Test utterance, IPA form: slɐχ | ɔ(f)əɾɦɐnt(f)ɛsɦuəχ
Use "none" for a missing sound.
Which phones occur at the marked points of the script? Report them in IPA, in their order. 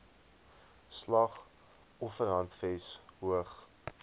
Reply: f, f

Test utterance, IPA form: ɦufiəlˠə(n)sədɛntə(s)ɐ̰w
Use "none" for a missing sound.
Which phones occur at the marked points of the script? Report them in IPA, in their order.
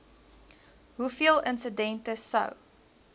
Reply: n, s

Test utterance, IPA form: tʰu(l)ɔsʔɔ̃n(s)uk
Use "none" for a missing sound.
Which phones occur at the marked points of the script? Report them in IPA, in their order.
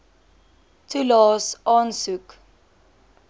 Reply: l, s

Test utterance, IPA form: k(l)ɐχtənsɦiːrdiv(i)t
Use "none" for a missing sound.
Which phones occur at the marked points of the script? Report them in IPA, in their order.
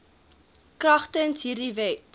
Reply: r, ɛ

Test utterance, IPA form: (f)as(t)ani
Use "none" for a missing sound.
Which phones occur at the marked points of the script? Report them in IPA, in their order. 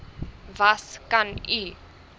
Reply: v, k

